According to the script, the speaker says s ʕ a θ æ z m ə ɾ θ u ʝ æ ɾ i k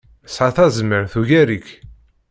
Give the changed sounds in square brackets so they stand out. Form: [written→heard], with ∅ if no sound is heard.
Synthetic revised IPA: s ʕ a θ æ z m ə ɾ θ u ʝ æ ɾ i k

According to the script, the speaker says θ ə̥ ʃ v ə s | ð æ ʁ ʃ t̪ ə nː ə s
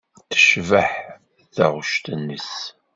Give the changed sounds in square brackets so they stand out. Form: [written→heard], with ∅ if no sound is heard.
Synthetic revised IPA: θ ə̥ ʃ v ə [s→ħ] | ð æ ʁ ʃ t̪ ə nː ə s

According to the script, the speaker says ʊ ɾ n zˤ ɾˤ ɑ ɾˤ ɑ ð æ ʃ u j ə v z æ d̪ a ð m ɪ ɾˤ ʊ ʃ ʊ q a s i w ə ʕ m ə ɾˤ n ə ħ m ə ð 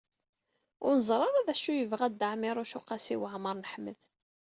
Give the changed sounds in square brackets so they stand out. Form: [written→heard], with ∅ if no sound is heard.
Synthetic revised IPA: ʊ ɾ n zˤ ɾˤ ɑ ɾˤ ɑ ð æ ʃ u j ə v [z→ʁ] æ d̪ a [ð→ʕ] m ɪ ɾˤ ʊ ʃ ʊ q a s i w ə ʕ m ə ɾˤ n ə ħ m ə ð

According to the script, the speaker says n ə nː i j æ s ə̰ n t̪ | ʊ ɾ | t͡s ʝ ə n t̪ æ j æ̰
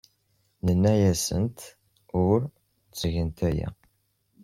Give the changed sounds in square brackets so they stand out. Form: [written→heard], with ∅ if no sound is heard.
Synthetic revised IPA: n ə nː [i→æ] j æ s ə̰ n t̪ | ʊ ɾ | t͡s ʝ ə n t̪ æ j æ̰

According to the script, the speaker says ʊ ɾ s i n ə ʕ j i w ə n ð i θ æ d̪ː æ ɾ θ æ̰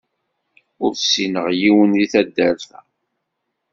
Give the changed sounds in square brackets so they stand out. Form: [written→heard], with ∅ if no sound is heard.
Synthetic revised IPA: ʊ ɾ s i n ə [ʕ→ʁ] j i w ə n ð i θ æ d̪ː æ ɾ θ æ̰

